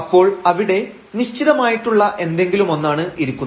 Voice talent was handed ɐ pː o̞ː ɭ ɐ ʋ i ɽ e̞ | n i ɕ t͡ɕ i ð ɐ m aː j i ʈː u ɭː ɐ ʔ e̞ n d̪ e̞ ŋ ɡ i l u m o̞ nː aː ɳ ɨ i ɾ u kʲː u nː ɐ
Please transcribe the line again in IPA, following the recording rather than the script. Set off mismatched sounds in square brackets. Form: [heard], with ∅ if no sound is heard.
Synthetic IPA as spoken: ɐ pː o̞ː ɭ ɐ ʋ i ɽ e̞ | n i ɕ t͡ɕ i ð ɐ m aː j i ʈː u ɭː ɐ ʔ e̞ n d̪ e̞ ŋ ɡ i l u m o̞ nː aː ɳ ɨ i ɾ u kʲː u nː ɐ